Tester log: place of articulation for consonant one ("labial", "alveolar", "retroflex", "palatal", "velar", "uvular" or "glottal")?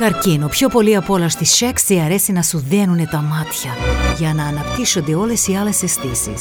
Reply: velar